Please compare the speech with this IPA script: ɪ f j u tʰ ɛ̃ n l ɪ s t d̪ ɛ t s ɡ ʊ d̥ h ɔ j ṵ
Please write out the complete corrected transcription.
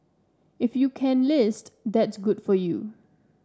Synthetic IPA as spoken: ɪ f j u kʰ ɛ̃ n l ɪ s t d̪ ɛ t s ɡ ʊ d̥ f ɔ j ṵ